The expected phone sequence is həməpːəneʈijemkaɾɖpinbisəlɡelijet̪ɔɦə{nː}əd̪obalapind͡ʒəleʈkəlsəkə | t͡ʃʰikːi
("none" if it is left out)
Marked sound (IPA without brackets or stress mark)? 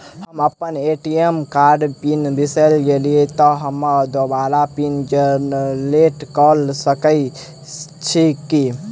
mː